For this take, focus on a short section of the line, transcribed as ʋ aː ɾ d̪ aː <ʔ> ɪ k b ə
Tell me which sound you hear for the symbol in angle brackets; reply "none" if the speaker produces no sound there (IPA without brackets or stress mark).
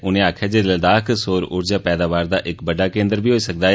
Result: ʔ